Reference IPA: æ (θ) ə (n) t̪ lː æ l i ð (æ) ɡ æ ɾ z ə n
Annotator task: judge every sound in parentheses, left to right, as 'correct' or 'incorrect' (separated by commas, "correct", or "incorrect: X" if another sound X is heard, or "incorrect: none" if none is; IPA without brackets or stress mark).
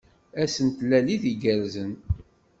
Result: incorrect: s, correct, incorrect: i